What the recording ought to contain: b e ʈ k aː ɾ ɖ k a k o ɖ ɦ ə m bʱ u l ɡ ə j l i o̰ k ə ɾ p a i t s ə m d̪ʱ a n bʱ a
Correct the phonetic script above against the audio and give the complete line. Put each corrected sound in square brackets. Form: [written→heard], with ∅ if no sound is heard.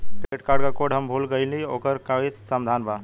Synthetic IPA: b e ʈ k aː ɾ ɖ k a k o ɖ ɦ ə m bʱ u l ɡ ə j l i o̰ k ə ɾ [p→k] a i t s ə m d̪ʱ a n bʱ a